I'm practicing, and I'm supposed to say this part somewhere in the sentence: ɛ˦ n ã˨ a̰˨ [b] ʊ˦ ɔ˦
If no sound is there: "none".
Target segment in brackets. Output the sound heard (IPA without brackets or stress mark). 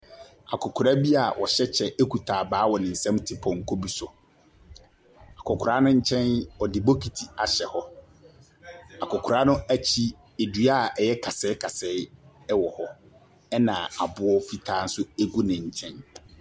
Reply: b